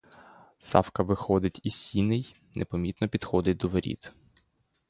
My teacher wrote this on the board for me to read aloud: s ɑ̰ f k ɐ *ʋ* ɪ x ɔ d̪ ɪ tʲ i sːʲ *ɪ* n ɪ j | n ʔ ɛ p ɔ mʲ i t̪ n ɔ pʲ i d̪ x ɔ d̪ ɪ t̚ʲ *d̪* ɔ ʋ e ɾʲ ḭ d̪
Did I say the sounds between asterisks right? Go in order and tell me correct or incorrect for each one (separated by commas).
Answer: correct, incorrect, correct